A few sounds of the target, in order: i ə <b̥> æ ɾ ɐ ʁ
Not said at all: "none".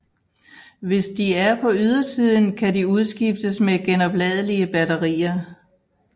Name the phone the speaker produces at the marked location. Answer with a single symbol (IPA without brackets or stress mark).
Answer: b̥